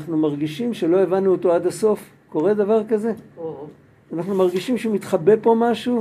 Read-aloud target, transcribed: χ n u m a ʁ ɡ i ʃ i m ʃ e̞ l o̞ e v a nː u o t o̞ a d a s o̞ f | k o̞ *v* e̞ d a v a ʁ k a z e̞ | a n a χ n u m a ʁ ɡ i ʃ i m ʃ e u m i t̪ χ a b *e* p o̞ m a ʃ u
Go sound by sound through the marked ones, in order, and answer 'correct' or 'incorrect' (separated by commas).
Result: incorrect, correct